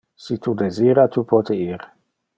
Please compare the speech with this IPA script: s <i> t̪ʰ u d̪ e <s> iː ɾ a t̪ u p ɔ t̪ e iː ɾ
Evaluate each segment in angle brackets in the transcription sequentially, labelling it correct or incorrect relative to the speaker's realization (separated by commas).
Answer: correct, incorrect